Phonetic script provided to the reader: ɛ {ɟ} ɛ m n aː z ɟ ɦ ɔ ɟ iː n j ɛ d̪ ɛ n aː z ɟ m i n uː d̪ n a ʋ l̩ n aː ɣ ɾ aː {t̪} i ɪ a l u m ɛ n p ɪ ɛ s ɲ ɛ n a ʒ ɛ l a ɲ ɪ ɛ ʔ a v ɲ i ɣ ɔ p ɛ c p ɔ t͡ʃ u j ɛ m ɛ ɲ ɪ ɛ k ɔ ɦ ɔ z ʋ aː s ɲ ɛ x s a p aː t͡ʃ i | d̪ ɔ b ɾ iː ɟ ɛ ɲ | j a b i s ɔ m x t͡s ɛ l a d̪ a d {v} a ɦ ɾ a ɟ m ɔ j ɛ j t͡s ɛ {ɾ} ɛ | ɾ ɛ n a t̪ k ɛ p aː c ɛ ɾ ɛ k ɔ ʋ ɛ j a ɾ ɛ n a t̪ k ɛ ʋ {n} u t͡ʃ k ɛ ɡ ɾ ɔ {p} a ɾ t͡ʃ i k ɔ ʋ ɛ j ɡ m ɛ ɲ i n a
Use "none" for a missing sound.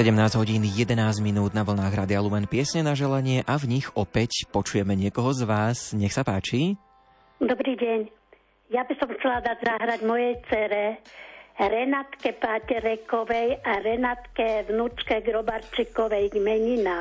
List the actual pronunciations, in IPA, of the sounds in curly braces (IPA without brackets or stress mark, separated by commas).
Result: ɟ, d̪, z, ɾ, n, b